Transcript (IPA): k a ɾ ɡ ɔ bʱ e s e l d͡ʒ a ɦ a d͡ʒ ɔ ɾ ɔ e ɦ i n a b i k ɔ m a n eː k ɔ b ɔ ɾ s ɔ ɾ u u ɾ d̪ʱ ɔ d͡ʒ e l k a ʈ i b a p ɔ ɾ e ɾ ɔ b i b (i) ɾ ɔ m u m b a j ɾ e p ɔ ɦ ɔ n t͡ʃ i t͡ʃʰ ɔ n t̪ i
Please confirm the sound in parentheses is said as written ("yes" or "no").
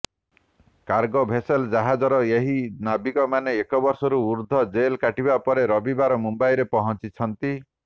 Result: no